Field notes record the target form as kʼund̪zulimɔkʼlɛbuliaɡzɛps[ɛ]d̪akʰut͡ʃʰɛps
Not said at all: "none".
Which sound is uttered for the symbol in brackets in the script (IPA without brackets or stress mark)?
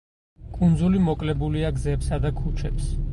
a